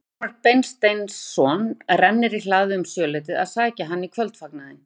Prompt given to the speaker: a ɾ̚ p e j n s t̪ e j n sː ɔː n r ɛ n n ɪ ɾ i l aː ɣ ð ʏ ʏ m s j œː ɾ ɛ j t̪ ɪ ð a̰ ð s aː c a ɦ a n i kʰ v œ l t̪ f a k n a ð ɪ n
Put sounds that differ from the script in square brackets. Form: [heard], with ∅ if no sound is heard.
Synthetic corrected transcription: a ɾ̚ p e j n s t̪ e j n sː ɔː n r ɛ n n ɪ ɾ i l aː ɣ ð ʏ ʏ m s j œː [l] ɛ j t̪ ɪ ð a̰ ð s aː c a ɦ a [nː] i kʰ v œ l t̪ f a k n a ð ɪ n